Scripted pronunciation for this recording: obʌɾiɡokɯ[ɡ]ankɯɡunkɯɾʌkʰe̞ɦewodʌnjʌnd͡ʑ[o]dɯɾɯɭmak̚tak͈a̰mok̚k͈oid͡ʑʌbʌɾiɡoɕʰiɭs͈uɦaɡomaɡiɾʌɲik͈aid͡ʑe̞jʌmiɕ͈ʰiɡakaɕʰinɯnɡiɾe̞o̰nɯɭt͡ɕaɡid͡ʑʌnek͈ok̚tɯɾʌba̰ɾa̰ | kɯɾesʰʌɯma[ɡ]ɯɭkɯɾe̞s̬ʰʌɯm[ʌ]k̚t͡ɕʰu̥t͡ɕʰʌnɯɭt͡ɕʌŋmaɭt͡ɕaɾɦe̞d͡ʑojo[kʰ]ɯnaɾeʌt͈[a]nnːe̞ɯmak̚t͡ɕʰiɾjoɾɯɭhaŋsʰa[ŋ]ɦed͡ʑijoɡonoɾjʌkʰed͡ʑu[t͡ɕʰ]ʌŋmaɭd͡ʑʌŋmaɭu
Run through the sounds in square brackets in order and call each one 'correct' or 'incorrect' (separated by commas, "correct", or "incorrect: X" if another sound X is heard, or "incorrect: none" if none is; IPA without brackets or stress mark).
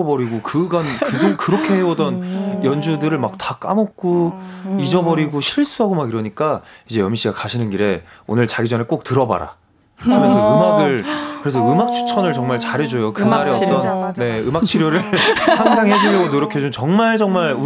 correct, incorrect: u, correct, incorrect: a, incorrect: k, incorrect: ʌ, correct, incorrect: t͡ɕ